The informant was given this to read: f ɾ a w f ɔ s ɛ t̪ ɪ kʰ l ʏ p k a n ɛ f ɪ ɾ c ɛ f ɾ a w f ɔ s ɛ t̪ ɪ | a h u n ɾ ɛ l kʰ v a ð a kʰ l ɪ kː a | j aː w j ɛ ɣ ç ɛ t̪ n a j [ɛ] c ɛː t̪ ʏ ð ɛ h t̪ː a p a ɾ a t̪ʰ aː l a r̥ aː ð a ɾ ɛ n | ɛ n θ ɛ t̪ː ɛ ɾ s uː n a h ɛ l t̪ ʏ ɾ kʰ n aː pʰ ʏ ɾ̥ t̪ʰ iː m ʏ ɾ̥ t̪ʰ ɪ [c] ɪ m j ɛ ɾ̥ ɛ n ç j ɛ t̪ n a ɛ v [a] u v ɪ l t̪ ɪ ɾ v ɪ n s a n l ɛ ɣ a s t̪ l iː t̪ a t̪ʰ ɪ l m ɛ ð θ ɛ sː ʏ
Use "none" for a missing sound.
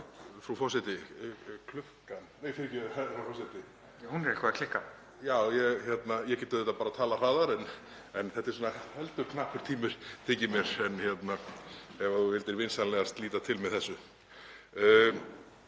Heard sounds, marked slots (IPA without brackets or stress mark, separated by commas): ɛ, c, a